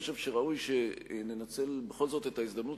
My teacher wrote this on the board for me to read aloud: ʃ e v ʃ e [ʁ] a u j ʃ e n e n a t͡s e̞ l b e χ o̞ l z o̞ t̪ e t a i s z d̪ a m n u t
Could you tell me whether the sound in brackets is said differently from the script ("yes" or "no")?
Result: no